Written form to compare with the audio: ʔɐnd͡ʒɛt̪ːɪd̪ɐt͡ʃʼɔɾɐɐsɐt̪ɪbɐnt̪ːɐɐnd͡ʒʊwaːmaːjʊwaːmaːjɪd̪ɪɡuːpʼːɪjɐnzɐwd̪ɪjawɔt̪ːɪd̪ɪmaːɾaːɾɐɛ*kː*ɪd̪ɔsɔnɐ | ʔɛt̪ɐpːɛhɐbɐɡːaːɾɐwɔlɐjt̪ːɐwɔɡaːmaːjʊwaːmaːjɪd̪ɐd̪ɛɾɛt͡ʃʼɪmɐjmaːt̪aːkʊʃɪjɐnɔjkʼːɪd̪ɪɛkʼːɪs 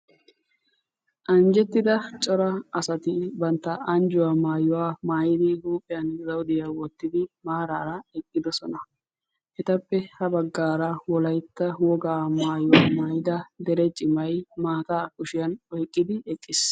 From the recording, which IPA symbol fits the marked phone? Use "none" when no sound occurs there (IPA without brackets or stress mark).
kʼː